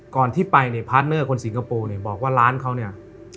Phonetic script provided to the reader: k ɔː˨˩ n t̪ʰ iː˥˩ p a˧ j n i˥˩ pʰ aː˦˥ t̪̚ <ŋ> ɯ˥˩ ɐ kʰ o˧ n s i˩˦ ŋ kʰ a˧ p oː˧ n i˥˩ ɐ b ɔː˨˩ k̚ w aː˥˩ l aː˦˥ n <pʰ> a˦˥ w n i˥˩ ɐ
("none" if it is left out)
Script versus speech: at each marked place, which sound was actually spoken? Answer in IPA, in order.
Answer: n, kʰ

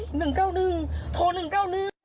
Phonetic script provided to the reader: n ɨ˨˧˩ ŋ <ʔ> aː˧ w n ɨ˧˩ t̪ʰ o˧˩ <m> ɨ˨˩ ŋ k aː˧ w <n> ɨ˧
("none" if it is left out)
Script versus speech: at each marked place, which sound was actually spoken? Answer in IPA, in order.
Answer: k, n, n

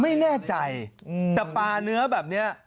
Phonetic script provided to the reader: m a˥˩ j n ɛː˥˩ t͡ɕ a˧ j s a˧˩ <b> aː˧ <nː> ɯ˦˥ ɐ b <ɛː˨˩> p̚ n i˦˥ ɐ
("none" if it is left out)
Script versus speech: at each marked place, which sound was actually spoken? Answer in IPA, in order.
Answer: p, n, ɛː˨˩

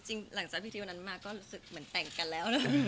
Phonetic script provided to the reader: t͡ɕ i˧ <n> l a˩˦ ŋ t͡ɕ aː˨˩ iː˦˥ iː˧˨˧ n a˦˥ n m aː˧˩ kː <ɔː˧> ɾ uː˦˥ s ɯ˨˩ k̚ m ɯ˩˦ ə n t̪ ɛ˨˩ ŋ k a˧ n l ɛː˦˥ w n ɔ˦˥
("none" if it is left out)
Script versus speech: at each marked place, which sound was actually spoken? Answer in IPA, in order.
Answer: ŋ, ɔː˥˩

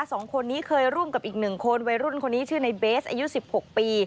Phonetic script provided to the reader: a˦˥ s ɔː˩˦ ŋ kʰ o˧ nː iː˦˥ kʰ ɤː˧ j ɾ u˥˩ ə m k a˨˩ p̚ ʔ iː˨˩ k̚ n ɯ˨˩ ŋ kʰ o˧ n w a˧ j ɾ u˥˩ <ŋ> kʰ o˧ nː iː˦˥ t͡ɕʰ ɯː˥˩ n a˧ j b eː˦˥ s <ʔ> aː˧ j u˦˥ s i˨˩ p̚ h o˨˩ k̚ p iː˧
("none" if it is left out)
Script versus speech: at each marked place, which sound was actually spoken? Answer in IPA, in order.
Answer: n, ʔ

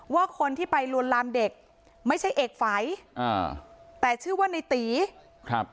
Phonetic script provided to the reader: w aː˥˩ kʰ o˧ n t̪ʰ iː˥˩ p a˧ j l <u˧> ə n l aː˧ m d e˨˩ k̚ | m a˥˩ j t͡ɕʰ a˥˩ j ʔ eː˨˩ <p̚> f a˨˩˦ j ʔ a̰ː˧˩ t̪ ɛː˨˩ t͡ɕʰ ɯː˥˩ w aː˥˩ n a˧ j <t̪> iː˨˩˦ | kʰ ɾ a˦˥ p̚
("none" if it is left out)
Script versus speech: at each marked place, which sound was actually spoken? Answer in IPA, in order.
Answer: u˧, k̚, t̪

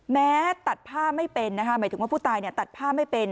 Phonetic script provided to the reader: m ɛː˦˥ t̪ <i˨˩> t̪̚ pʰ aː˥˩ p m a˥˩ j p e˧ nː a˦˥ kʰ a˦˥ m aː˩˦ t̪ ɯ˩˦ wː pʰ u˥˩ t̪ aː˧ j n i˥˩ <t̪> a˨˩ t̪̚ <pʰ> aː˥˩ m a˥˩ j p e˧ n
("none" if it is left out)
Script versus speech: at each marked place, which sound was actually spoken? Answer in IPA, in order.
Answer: a˨˩, t̪, pʰ

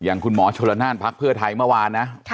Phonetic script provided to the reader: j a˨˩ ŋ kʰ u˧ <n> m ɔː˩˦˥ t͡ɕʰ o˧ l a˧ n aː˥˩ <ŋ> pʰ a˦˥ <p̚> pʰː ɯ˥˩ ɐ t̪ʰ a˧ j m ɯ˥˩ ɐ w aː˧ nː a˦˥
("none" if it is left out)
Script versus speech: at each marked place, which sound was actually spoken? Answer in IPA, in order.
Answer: n, n, k̚

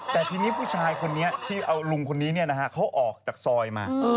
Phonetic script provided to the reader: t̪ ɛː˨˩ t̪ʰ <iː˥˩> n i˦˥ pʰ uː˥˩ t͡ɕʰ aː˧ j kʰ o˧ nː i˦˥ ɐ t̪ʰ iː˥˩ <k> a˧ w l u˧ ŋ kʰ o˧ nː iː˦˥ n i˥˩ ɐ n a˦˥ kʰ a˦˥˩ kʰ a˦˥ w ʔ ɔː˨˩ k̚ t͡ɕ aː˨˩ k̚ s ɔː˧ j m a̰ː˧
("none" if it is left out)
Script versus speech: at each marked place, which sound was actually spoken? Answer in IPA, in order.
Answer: iː˧, ʔ

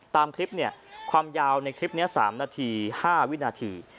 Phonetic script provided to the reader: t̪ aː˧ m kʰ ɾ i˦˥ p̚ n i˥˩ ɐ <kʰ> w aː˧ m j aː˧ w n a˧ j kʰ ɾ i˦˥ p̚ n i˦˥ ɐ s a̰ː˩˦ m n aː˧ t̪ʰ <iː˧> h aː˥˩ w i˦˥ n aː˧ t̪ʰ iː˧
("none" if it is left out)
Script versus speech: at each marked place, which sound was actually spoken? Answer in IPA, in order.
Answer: kʰ, iː˧

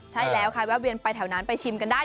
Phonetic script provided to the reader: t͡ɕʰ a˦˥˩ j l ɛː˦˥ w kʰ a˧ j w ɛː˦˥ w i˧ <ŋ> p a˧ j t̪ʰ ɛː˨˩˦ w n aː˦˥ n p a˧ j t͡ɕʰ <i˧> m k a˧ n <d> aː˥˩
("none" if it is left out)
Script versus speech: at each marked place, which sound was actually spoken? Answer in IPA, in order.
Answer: n, i˧, d

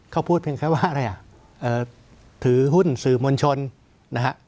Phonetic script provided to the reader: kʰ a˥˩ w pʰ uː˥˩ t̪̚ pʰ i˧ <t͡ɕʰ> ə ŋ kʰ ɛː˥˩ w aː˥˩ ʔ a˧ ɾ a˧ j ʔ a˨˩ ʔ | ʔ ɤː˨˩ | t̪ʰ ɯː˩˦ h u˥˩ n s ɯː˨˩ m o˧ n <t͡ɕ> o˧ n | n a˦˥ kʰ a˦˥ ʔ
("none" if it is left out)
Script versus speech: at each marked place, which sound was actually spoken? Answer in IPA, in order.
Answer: none, t͡ɕʰ

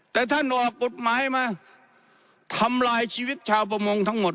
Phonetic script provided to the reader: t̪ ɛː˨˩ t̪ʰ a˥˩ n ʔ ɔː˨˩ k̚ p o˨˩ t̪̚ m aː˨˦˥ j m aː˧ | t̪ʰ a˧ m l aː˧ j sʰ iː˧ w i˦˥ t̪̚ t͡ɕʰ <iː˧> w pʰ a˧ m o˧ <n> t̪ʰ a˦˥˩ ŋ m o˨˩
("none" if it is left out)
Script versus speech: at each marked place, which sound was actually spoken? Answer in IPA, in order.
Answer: aː˧, ŋ

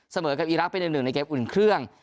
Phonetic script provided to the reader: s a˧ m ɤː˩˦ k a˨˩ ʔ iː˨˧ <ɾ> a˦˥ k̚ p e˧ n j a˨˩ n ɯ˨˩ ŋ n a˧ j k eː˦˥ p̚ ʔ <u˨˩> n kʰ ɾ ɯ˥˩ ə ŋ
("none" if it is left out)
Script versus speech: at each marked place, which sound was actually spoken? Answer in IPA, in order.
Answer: ɾ, u˨˩

